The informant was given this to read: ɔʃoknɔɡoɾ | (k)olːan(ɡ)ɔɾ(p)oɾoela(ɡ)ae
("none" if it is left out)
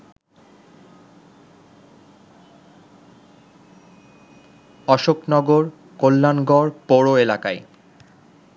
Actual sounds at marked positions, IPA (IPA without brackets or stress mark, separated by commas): k, ɡ, p, k